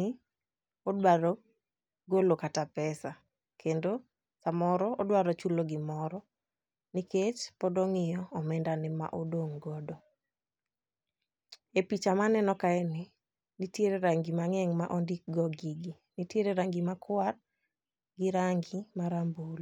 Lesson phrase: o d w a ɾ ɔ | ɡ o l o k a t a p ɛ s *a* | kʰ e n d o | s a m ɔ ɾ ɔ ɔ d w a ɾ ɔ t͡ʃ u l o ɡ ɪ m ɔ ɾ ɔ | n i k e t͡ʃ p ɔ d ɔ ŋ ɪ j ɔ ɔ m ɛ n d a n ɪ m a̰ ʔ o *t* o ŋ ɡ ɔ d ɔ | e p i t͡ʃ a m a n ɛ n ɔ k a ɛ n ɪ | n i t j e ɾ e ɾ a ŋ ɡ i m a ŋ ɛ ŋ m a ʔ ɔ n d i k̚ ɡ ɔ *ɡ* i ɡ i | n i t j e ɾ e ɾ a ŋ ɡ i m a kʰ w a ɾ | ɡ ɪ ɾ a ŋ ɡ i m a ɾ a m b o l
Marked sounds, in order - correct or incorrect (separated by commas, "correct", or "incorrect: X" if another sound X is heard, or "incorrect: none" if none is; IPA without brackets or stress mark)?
correct, incorrect: d, correct